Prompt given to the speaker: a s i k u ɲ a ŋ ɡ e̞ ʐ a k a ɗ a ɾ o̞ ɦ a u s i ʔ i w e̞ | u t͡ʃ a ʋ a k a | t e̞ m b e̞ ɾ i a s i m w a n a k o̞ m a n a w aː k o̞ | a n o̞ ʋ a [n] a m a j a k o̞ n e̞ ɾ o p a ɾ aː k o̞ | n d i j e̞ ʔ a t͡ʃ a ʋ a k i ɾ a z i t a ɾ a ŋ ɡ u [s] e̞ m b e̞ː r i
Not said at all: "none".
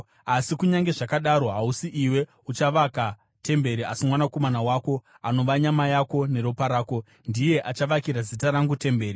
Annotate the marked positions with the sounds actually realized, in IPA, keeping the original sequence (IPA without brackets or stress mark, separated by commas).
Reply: ɲ, t